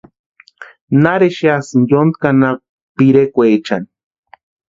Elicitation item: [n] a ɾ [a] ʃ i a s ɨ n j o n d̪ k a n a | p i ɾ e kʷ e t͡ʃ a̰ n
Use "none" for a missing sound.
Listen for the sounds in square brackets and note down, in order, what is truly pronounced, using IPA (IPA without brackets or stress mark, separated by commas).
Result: n, e